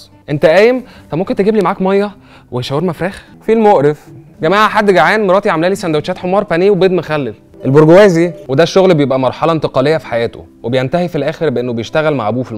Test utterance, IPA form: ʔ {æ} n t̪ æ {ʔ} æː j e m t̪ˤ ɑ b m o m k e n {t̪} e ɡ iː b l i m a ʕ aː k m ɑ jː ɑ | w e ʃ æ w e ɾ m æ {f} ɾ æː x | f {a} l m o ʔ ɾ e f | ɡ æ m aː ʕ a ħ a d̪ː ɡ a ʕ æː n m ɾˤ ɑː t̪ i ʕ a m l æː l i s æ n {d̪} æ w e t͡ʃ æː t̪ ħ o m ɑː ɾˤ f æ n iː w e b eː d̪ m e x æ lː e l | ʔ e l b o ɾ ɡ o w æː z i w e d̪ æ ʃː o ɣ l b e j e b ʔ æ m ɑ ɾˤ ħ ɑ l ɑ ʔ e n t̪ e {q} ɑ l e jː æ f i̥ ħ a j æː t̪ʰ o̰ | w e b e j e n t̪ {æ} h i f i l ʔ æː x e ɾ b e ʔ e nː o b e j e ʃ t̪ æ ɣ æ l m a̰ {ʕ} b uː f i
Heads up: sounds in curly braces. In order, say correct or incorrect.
incorrect: e, correct, correct, correct, incorrect: i, correct, correct, correct, correct

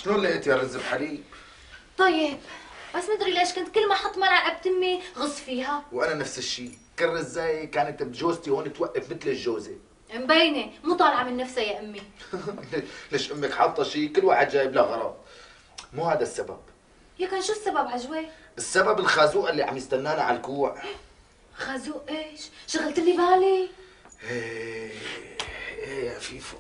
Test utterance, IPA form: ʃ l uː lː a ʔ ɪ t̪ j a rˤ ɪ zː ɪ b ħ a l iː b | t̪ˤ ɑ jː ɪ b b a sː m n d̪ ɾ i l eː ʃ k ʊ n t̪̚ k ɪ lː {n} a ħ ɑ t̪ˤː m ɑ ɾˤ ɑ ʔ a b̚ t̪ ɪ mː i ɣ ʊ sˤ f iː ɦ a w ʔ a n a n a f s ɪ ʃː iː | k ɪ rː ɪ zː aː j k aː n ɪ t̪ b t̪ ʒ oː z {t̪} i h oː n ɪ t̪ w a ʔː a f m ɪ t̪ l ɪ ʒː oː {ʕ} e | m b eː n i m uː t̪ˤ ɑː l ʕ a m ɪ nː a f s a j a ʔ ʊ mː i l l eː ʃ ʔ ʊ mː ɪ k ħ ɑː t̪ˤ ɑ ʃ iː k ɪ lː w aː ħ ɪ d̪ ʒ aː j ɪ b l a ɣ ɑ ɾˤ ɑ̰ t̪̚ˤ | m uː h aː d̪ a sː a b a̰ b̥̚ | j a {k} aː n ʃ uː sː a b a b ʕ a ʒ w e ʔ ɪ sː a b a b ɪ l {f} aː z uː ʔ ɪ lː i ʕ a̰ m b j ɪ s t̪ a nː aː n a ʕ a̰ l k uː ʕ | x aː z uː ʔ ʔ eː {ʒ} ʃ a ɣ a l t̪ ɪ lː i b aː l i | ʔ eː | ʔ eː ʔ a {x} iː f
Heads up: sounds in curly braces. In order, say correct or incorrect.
incorrect: m, correct, incorrect: z, correct, incorrect: x, incorrect: ʃ, incorrect: f

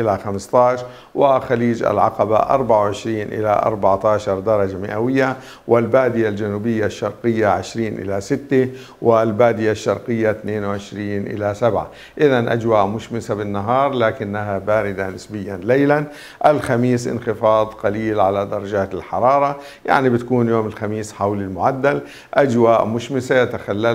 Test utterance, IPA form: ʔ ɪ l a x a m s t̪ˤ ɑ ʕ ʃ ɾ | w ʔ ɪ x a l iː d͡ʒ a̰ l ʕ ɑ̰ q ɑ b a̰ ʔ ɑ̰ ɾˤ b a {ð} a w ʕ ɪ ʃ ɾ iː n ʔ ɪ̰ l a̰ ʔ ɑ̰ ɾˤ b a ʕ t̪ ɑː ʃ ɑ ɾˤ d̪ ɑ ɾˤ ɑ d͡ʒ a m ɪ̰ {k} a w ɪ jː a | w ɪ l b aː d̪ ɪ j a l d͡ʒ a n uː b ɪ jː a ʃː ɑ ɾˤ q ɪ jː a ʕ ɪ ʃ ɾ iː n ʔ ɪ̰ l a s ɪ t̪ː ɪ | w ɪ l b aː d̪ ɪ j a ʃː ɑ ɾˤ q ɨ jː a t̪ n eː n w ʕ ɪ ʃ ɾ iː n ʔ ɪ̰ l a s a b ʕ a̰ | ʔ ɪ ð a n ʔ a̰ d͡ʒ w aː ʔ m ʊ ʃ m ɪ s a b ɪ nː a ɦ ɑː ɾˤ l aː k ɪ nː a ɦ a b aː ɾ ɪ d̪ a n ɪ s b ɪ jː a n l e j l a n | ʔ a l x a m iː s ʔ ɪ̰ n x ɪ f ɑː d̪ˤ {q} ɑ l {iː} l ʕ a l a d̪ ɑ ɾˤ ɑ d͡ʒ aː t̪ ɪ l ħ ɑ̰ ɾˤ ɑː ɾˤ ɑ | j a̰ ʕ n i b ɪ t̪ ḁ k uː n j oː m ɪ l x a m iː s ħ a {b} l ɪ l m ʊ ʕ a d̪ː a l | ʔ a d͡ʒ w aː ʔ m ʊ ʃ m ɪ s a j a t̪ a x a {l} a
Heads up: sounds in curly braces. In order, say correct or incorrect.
incorrect: ʕ, incorrect: ʔ, correct, correct, incorrect: w, incorrect: lː

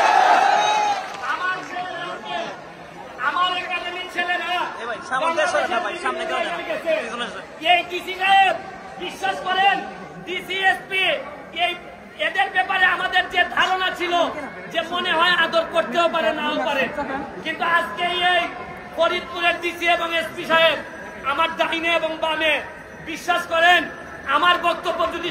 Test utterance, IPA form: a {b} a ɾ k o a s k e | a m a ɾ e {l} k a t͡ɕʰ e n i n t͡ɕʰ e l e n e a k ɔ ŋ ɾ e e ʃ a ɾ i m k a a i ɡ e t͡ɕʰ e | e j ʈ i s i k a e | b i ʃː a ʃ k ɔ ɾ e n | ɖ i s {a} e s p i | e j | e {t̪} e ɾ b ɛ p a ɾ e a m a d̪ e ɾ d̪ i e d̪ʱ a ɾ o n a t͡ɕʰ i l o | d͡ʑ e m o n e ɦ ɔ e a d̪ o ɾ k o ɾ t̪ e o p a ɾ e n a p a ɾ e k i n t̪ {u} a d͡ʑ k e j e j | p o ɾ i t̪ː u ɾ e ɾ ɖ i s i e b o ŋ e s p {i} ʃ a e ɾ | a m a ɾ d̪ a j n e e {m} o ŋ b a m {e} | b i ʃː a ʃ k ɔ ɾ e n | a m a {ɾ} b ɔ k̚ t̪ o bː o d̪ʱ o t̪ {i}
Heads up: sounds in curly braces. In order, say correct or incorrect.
incorrect: m, incorrect: ɾ, incorrect: i, incorrect: d̪, correct, correct, incorrect: b, correct, correct, correct

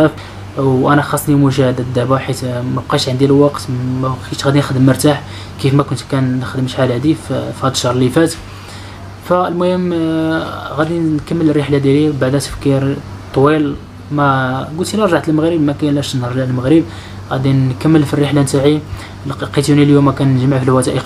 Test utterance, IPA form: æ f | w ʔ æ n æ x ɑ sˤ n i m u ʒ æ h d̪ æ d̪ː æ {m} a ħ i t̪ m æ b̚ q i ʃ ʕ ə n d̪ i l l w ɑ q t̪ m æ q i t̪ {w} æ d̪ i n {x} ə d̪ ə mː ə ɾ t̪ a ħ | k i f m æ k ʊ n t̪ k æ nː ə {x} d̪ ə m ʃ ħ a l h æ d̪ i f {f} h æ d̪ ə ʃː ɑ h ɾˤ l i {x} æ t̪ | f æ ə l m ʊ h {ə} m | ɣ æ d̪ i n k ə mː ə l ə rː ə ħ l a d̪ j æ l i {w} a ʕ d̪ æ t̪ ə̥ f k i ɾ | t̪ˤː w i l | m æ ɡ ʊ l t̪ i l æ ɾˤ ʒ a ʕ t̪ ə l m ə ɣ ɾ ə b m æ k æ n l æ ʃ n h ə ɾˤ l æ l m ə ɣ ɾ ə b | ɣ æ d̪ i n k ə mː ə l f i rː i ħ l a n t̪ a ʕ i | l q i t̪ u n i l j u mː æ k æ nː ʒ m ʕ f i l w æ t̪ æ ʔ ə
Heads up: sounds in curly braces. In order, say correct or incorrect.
incorrect: b, incorrect: ɣ, correct, correct, correct, incorrect: f, correct, incorrect: b

